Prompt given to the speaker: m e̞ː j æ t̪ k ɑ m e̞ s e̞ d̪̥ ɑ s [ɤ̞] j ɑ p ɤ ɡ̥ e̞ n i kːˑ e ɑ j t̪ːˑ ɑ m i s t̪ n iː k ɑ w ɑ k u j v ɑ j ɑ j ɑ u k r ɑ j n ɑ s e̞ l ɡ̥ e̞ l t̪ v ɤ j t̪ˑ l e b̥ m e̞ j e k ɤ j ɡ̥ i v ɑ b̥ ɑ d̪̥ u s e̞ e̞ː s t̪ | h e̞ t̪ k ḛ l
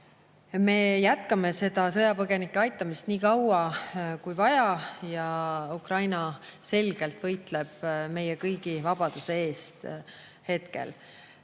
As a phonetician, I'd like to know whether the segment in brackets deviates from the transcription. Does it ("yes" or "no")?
no